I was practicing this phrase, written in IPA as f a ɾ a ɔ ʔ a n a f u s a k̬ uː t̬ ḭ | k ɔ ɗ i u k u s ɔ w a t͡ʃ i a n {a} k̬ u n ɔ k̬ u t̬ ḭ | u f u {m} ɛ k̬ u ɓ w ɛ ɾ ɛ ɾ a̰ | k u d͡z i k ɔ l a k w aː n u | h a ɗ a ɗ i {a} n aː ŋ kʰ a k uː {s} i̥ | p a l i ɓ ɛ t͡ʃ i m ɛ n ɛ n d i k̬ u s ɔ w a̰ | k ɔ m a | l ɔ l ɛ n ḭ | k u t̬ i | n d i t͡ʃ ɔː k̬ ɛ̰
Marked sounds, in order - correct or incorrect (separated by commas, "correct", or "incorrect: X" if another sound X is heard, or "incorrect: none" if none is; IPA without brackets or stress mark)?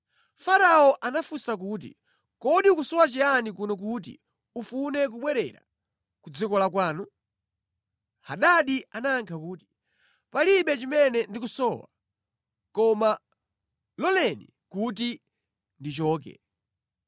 incorrect: i, incorrect: n, correct, incorrect: t